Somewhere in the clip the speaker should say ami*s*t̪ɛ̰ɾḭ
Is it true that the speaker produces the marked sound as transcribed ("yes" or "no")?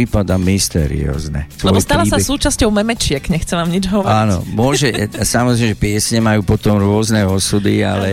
yes